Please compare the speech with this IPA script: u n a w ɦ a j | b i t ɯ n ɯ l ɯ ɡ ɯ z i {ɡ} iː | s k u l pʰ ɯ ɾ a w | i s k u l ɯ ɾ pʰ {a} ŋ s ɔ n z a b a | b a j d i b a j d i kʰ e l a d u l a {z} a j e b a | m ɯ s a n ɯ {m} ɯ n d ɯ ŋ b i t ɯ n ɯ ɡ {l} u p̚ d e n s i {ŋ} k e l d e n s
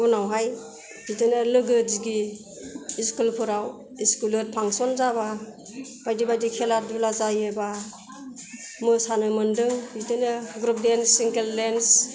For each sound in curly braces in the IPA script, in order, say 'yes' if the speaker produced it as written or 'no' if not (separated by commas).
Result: yes, yes, yes, yes, no, yes